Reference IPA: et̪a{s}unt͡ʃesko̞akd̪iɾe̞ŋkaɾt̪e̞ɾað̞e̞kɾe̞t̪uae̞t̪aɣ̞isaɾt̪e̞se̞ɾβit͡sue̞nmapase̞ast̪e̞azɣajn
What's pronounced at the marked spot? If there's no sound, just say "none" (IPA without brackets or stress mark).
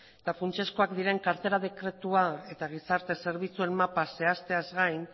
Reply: f